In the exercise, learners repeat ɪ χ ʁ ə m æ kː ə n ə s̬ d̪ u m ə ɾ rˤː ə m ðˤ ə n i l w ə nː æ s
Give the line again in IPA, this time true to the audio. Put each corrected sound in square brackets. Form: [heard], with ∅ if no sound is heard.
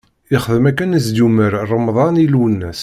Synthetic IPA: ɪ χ [ð] ə m æ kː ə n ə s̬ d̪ u m ə ɾ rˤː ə m ðˤ [ɑ] n i l w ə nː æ s